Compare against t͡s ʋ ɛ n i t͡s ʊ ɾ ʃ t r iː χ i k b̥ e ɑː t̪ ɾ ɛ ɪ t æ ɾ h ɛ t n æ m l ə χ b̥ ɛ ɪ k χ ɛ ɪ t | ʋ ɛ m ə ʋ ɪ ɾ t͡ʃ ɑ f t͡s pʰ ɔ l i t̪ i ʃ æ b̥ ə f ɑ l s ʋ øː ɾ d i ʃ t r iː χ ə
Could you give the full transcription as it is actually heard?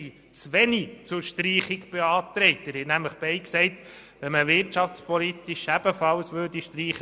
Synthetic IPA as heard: t͡s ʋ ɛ n i t͡s ʊ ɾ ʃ t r iː χ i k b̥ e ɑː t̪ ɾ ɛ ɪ t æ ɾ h ɛ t n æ m l ə χ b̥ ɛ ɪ k s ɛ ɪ t | ʋ ɛ m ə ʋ ɪ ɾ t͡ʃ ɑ f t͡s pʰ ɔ l i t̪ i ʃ æ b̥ ə f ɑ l s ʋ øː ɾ d i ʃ t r iː χ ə